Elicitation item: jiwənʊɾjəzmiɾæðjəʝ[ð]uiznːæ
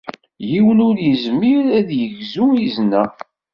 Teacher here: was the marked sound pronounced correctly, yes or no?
no